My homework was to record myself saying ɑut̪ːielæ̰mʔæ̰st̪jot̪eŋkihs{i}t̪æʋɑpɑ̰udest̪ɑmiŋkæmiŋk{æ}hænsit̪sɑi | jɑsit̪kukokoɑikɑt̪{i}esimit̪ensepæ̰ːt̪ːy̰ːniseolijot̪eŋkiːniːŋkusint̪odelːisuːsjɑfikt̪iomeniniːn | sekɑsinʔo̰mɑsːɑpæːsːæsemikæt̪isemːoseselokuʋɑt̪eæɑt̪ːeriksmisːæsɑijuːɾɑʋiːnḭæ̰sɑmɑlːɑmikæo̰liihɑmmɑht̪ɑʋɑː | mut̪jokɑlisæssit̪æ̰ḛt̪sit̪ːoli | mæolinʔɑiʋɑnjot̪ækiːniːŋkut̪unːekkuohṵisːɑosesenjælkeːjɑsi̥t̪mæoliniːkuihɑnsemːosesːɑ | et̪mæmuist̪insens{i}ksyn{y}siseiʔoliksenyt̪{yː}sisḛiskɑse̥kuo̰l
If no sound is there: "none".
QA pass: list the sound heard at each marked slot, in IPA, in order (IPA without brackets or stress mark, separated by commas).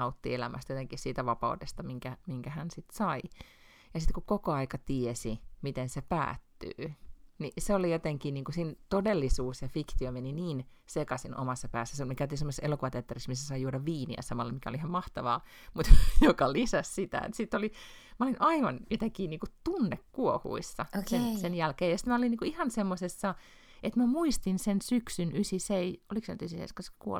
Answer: iː, æ, i, y, y, y